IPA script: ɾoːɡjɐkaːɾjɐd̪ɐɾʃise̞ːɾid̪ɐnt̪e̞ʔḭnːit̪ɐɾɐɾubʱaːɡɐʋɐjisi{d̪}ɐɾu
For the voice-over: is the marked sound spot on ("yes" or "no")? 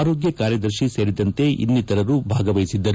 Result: no